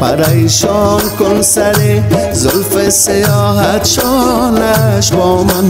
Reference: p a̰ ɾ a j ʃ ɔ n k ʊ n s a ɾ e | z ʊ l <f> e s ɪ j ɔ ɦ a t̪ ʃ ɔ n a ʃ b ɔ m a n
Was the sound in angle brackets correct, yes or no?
yes